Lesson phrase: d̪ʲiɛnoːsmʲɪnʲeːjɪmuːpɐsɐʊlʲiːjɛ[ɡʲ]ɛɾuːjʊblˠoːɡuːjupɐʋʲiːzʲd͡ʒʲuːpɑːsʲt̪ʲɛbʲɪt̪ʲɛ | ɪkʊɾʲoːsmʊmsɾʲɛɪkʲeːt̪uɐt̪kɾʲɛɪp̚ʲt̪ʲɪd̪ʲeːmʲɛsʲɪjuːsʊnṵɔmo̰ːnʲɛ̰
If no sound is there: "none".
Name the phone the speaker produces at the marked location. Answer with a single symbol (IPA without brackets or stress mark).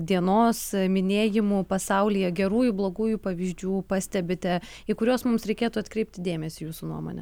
ɡʲ